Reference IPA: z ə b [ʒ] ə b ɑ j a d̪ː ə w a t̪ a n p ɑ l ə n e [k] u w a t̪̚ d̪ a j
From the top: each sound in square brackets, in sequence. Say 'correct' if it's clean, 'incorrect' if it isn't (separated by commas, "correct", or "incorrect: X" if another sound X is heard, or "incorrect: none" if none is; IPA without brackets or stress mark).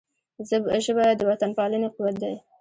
correct, incorrect: q